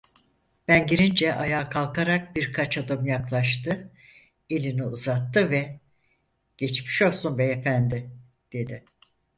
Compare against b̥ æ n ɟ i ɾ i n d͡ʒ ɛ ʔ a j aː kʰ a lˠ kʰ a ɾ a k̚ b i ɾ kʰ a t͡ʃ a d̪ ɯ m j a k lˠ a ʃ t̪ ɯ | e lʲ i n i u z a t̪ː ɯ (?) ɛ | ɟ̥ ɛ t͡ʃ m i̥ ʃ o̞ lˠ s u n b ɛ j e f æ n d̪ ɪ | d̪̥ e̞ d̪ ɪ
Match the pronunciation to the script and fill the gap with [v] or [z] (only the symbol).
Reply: v